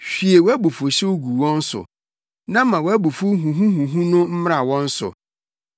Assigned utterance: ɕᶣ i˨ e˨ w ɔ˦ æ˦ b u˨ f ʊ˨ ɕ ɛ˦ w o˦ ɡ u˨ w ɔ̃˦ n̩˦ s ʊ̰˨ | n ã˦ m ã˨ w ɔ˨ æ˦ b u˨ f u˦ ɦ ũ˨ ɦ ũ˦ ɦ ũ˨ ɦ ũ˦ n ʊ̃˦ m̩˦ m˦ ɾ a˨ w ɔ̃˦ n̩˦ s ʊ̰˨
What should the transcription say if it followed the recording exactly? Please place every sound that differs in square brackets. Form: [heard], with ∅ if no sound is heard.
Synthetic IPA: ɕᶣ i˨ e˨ w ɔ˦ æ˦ b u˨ f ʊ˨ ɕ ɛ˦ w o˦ ɡ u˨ w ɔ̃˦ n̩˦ s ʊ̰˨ | n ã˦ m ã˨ w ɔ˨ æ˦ b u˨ f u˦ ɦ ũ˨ ɦ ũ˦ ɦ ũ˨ ɦ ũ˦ n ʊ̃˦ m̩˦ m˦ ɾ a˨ w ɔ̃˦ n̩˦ s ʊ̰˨